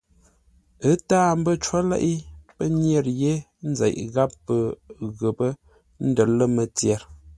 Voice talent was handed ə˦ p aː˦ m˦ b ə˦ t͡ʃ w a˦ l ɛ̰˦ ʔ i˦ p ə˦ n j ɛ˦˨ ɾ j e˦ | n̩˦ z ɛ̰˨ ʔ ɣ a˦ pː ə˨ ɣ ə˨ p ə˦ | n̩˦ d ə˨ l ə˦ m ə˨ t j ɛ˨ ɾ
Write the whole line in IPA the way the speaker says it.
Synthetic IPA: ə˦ t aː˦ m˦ b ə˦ t͡ʃ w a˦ l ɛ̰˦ ʔ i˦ p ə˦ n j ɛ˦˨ ɾ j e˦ | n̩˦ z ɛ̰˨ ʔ ɣ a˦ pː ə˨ ɣ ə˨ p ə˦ | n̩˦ d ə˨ l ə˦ m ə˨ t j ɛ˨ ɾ